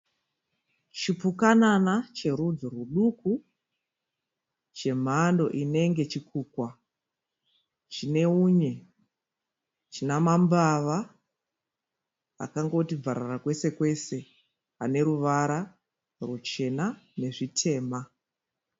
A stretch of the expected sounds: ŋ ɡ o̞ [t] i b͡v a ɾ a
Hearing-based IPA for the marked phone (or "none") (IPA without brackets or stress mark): t